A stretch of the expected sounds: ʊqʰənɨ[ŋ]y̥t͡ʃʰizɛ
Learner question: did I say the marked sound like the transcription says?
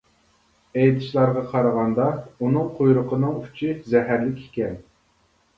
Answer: yes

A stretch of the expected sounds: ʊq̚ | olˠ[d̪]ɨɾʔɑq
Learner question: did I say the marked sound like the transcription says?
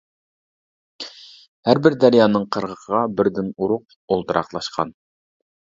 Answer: no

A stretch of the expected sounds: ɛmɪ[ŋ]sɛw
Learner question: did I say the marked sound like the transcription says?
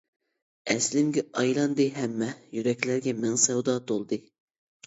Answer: yes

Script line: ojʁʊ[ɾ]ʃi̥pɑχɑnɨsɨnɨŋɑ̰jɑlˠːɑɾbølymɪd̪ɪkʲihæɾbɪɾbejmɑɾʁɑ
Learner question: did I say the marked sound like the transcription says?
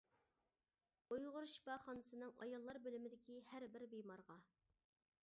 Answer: yes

